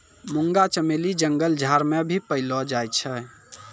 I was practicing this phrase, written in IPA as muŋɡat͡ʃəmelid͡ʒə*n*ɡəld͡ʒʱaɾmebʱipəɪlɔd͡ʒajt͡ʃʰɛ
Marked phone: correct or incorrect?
incorrect